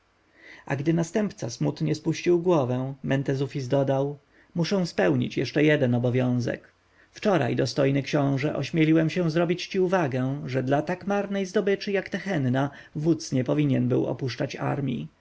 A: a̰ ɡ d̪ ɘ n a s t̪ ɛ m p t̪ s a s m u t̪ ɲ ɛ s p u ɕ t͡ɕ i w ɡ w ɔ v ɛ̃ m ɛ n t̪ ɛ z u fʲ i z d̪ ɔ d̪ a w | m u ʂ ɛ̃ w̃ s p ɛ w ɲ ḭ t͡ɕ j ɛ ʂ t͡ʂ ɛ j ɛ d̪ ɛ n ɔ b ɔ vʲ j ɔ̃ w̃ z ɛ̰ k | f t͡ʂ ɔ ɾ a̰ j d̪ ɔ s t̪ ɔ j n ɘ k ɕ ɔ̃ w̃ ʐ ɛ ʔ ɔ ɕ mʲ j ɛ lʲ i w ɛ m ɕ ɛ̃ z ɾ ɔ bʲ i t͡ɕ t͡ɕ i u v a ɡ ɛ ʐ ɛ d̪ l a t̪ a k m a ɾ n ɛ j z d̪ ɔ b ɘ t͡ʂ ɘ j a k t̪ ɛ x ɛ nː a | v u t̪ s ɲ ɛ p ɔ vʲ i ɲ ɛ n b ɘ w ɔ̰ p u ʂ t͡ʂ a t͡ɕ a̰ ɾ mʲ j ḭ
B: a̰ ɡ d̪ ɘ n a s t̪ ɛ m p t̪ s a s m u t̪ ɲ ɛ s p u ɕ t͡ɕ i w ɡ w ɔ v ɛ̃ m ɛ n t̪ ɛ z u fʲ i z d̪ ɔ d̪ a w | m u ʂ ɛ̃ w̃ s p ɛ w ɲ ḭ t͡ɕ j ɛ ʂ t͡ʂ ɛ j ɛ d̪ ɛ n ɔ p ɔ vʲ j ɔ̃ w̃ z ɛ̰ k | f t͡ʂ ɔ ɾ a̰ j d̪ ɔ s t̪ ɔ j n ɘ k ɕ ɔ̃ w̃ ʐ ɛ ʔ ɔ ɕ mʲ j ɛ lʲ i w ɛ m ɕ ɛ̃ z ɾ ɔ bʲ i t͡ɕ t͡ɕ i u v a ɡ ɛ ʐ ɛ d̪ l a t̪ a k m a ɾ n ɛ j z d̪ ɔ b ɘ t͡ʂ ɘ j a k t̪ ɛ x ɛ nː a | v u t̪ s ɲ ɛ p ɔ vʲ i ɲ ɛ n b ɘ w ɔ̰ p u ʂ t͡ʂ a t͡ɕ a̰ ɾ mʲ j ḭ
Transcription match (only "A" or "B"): A